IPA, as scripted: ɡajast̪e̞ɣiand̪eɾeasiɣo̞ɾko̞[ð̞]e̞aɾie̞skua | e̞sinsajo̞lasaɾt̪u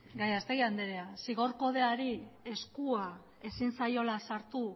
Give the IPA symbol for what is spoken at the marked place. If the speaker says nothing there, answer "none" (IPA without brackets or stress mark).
ð̞